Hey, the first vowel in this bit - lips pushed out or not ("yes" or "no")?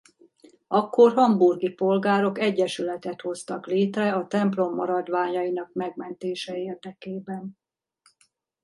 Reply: yes